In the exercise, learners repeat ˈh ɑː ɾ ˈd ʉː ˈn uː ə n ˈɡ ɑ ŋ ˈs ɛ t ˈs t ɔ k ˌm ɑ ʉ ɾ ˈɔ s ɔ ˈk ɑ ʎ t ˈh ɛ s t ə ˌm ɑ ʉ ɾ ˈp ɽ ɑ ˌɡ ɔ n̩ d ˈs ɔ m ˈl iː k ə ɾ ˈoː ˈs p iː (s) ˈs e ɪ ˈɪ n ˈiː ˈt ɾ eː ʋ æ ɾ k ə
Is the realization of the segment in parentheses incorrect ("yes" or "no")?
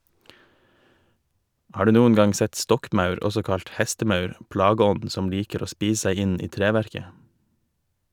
no